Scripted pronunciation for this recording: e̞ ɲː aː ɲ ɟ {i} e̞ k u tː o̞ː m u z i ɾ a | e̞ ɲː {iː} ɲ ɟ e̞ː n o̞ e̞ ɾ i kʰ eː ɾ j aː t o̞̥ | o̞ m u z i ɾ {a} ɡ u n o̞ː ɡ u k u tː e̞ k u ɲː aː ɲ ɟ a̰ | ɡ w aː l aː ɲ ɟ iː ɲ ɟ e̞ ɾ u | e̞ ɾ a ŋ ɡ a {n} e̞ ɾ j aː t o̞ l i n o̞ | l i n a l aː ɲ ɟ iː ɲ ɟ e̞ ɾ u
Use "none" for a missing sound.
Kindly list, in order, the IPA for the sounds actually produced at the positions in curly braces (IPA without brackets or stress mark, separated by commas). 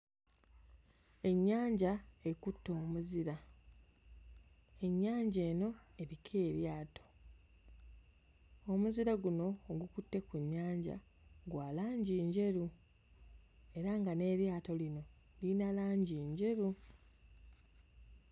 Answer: a, aː, a, n